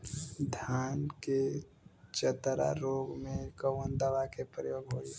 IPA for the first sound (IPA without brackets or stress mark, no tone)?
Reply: d̪ʱ